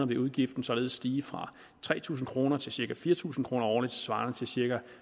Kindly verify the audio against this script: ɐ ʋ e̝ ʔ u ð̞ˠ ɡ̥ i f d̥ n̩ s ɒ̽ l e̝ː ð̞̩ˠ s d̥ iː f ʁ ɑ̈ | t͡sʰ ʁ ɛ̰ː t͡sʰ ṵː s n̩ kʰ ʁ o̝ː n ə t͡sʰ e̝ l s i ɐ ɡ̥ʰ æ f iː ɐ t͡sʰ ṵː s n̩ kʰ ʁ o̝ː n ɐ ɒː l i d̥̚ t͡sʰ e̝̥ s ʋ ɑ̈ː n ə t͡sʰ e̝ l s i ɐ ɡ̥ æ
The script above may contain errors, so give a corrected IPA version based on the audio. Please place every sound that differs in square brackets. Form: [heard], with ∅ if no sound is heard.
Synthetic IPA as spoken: ɐ ʋ e̝ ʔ u ð̞ˠ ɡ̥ i f d̥ n̩ s ɒ̽ l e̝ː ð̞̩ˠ s d̥ iː f ʁ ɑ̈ | t͡sʰ ʁ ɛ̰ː t͡sʰ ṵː s n̩ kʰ ʁ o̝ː n [ɐ] t͡sʰ e̝ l s i ɐ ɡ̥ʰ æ f iː ɐ t͡sʰ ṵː s n̩ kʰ ʁ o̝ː n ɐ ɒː l i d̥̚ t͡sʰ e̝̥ s ʋ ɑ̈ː n ə t͡sʰ e̝ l s i ɐ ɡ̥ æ